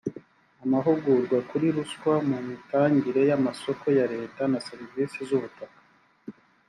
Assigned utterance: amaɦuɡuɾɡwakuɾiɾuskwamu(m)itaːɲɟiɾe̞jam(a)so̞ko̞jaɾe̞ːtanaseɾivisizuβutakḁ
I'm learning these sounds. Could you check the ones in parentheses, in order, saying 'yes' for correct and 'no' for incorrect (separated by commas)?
yes, yes